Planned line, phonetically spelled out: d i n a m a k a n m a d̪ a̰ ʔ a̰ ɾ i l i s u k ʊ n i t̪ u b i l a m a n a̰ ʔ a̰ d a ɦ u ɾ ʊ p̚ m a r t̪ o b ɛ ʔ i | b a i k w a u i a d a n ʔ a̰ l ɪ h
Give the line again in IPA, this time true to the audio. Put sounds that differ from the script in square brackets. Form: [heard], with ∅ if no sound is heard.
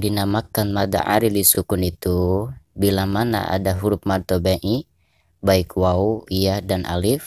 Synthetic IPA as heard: d i n a m a k a n m a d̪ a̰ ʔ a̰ ɾ i l i s u k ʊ n i t̪ u b i l a m a n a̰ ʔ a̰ d a ɦ u ɾ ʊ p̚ m a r t̪ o b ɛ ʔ i | b a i k w a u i a d a n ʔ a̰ l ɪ [f]